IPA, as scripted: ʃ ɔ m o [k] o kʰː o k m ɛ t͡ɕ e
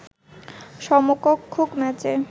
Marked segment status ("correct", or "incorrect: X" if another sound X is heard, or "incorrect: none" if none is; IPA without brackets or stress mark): correct